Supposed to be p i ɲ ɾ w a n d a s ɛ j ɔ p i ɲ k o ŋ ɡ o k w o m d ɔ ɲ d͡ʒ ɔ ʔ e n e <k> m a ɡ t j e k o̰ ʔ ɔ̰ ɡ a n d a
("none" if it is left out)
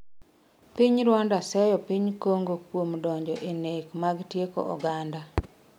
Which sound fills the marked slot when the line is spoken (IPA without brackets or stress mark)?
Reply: k